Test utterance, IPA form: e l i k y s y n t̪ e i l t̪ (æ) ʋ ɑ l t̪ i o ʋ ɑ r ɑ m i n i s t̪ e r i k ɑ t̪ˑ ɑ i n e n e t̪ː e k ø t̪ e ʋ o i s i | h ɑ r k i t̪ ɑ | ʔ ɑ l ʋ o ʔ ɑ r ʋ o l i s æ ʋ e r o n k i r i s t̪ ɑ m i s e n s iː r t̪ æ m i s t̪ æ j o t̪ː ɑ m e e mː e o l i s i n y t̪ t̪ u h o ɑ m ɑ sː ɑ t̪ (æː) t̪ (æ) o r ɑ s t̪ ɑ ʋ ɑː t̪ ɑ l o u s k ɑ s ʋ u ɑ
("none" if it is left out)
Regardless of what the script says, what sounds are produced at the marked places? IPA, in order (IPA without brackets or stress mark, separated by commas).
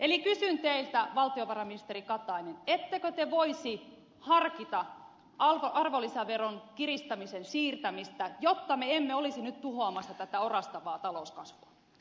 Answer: æ, æ, æ